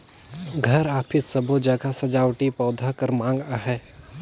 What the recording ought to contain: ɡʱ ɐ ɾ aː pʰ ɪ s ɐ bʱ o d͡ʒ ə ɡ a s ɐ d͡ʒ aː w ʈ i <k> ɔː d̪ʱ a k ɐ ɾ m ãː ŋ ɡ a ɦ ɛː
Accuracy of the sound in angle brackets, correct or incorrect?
incorrect